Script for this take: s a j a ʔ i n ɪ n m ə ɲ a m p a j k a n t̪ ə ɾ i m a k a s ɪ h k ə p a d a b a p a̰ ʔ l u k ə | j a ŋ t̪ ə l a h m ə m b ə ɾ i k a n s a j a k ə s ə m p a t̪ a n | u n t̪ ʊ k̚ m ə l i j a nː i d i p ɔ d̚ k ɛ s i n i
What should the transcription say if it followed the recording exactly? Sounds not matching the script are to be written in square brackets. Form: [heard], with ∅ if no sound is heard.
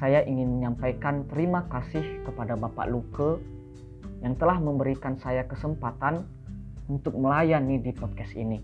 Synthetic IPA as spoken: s a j a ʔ i [ŋ] ɪ n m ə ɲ a m p a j k a n t̪ ə ɾ i m a k a s ɪ h k ə p a d a b a p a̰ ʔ l u k ə | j a ŋ t̪ ə l a h m ə m b ə ɾ i k a n s a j a k ə s ə m p a t̪ a n | u n t̪ ʊ k̚ m ə l [a] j a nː i d i p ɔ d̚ k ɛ s i n i